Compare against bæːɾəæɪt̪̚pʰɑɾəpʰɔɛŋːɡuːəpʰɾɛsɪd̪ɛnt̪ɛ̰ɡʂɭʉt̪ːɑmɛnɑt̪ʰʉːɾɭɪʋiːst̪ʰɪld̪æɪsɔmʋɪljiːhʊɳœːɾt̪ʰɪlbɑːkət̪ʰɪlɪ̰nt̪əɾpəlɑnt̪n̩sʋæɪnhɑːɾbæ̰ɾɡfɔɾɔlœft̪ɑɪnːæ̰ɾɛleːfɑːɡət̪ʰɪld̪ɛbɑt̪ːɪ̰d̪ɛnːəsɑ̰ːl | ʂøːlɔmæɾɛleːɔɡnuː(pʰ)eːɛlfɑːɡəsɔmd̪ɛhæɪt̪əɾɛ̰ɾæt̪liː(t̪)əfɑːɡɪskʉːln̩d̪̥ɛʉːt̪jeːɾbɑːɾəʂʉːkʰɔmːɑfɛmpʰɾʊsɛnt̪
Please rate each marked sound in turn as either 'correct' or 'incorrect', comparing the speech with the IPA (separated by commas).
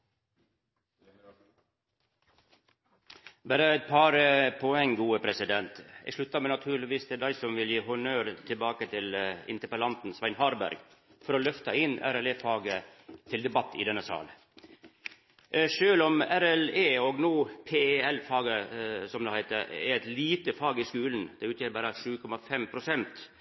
correct, correct